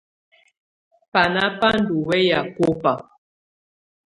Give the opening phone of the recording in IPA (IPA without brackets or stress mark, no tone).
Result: p